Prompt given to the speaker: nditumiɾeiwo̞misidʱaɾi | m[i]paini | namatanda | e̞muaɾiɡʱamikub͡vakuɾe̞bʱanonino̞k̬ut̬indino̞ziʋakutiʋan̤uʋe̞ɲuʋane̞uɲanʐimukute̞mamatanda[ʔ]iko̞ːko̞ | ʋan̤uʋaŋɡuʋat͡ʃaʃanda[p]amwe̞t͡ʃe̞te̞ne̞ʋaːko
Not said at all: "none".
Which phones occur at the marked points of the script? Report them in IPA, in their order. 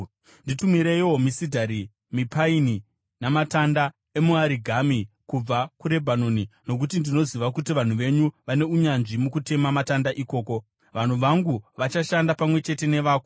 i, ʔ, p

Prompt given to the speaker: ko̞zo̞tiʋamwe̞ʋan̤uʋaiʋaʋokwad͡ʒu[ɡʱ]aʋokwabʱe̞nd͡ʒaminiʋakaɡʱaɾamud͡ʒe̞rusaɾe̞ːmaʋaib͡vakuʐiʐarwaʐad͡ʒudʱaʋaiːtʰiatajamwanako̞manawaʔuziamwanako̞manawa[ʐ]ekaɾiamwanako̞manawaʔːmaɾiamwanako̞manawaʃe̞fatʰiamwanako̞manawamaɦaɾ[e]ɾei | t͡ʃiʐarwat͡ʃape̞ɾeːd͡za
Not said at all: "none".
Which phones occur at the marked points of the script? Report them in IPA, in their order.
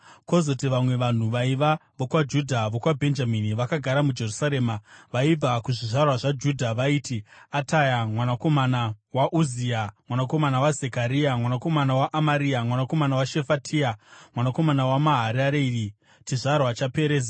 dʱ, z, a

